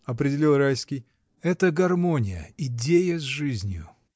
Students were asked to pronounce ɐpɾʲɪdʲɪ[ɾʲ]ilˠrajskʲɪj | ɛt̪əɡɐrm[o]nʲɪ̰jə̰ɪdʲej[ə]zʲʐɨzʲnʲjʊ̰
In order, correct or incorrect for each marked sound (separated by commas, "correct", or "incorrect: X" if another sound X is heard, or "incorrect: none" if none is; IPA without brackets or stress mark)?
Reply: incorrect: lʲ, correct, correct